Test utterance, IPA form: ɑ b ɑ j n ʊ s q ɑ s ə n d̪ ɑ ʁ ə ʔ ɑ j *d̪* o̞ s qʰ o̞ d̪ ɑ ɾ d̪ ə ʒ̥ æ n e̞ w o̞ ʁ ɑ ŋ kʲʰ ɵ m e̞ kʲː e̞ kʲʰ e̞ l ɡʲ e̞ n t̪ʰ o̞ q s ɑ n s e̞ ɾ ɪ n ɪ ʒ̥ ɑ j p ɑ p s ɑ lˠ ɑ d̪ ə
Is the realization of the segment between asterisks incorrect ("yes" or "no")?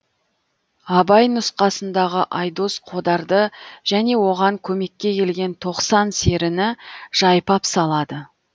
no